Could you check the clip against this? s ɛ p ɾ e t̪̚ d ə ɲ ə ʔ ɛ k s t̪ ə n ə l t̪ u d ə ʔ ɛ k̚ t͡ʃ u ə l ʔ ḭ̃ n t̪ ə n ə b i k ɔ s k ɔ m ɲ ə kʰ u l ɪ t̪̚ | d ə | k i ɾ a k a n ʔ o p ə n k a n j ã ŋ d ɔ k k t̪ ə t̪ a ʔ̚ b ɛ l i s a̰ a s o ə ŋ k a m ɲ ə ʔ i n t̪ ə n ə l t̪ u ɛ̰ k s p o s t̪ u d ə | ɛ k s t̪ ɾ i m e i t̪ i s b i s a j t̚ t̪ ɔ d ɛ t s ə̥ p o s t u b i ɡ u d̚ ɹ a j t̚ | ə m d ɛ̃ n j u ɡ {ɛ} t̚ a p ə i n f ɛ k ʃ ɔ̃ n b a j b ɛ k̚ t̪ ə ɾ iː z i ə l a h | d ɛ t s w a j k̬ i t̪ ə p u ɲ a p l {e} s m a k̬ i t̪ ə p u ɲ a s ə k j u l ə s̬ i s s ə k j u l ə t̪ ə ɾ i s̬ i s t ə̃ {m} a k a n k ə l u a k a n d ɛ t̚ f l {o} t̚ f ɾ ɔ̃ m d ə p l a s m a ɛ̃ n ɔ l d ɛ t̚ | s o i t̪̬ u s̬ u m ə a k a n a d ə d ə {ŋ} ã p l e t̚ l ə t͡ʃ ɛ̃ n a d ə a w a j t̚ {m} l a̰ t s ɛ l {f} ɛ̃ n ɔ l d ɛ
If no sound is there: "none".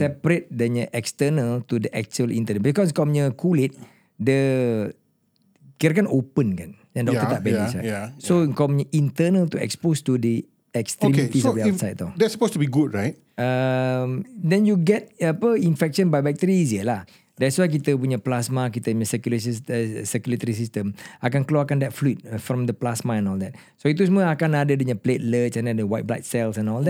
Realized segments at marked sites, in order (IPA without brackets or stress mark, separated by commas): ɛ, a, m, u, ɲ, b, s